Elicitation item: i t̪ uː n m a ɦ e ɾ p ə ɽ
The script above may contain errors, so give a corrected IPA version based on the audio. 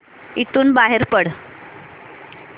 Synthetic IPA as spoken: i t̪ uː n b a ɦ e ɾ p ə ɽ